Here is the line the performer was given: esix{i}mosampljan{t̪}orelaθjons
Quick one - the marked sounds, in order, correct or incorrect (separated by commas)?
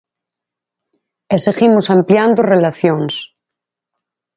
correct, incorrect